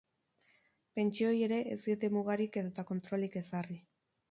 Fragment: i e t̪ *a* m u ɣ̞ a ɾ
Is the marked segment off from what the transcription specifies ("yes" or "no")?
yes